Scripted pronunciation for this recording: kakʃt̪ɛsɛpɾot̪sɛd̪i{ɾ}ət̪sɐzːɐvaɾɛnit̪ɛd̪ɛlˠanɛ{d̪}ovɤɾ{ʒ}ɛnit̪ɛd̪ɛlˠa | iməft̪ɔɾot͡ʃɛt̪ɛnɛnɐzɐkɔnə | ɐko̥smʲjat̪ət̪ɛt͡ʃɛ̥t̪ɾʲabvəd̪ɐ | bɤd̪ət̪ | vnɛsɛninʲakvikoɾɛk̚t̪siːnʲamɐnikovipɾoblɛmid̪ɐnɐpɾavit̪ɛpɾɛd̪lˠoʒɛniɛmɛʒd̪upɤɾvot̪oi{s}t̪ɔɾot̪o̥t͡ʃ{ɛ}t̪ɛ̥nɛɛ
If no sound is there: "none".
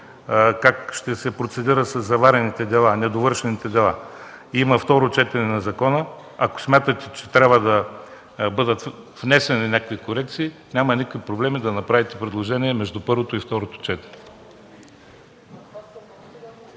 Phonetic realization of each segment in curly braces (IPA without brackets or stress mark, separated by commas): ɾ, d̪, ʃ, f, ɛ